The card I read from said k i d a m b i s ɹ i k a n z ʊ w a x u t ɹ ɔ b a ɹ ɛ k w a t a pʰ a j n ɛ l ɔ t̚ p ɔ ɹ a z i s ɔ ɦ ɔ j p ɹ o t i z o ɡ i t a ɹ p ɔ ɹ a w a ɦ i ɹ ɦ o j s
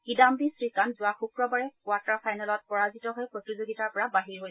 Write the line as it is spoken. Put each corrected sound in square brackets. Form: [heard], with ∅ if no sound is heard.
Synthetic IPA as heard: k i d a m b i s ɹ i k a n z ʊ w a x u [k] ɹ ɔ b a ɹ ɛ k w a t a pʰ a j n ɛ l ɔ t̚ p ɔ ɹ a z i [t] ɔ ɦ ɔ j p ɹ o t i z o ɡ i t a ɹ p ɔ ɹ a [b] a ɦ i ɹ ɦ o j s